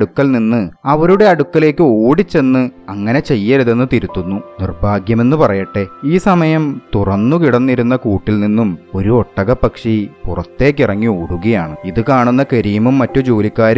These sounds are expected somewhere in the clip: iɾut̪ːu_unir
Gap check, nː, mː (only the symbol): nː